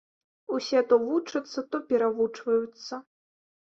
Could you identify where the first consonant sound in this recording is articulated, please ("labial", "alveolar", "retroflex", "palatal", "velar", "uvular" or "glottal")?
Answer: alveolar